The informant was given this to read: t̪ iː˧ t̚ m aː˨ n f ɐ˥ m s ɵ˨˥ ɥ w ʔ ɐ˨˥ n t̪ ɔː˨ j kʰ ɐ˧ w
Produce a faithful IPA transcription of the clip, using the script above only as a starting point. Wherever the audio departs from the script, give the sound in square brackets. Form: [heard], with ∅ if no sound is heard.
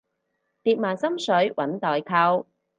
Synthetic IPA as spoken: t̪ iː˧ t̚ m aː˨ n [s] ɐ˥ m s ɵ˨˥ ɥ w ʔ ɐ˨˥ n t̪ ɔː˨ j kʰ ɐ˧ w